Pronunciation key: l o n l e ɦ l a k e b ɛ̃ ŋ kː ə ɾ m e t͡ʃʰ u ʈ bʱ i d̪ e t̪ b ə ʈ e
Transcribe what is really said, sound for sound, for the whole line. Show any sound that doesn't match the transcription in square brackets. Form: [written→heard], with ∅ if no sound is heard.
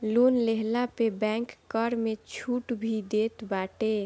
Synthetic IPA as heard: l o n l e ɦ l a [k→p] e b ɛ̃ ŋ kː ə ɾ m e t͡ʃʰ u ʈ bʱ i d̪ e t̪ b [ə→a] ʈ e